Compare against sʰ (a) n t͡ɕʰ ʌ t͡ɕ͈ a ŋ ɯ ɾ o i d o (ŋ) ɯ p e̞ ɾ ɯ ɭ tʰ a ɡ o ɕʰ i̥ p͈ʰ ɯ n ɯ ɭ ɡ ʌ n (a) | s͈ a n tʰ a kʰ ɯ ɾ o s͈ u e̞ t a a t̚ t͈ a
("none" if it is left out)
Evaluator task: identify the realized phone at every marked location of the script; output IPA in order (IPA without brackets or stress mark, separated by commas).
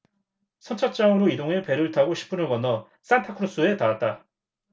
ʌ, ŋ, ʌ